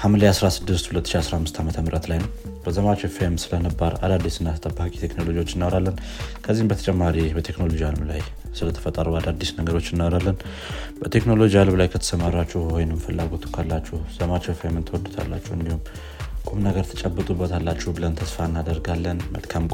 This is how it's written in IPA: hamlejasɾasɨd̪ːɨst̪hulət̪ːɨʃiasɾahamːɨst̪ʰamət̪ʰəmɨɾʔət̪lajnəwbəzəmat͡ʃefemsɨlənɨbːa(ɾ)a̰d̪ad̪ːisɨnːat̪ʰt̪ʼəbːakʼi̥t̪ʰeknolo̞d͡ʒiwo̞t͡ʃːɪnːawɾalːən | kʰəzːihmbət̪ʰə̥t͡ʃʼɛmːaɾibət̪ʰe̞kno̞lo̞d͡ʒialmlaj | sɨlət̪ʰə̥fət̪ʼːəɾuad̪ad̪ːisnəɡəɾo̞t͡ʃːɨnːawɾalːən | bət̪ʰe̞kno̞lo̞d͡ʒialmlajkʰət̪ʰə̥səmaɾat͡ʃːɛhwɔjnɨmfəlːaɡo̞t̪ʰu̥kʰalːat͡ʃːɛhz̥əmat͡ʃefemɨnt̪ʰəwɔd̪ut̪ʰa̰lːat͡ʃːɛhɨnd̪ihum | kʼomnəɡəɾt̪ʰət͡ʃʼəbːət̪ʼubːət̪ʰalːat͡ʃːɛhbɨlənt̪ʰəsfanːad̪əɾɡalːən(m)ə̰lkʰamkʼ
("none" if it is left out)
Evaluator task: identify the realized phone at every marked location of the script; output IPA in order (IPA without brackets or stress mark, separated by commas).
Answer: ɾ, m